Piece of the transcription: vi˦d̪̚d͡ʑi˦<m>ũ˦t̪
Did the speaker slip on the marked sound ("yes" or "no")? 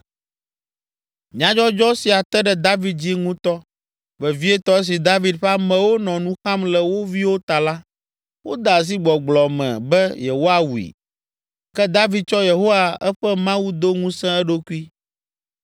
yes